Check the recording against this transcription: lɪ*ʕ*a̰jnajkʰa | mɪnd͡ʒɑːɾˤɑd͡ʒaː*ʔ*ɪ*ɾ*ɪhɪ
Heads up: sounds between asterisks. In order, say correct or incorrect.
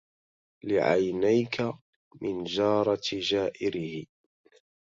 correct, correct, correct

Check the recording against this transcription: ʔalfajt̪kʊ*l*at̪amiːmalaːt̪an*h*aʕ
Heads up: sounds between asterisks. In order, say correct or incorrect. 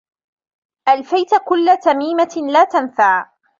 incorrect, incorrect

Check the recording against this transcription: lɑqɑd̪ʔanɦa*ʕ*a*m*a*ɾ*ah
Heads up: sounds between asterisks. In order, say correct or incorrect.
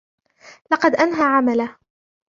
correct, correct, incorrect

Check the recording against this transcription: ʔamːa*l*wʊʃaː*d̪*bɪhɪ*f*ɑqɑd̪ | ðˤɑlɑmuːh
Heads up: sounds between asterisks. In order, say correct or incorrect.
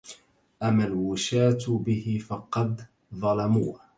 correct, incorrect, correct

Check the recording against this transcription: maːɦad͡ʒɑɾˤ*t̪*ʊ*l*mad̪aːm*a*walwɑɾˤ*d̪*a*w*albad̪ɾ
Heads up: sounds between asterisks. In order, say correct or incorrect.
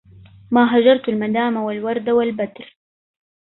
correct, correct, correct, correct, correct

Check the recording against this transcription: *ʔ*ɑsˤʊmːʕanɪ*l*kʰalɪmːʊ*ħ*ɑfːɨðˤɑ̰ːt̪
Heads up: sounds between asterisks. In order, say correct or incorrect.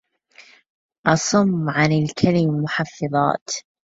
correct, correct, correct

